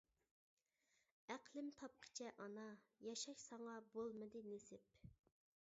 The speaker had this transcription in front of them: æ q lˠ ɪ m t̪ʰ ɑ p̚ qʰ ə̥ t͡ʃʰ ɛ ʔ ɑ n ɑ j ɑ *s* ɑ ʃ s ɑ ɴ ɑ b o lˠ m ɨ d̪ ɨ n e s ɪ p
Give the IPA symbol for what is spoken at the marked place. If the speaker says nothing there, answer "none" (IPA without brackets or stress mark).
ʃ